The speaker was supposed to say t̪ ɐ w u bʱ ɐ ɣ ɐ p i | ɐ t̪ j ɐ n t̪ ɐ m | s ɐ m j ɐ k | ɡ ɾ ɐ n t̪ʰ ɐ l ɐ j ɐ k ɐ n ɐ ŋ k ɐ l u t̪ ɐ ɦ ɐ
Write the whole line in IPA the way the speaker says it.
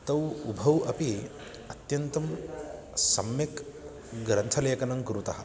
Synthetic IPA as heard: t̪ ɐ w u bʱ ɐ w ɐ p i | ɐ t̪ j ɐ n t̪ ɐ m | s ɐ m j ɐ k | ɡ ɾ ɐ n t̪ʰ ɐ l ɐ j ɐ k ɐ n ɐ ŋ k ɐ ɾ u t̪ ɐ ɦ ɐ